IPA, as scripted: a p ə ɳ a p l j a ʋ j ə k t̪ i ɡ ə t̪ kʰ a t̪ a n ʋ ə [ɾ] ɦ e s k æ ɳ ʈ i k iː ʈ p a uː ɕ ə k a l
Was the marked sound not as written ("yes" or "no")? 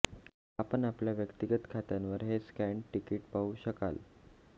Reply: no